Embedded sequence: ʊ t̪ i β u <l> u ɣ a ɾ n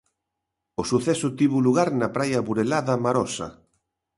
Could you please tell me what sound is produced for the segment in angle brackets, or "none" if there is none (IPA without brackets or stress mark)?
l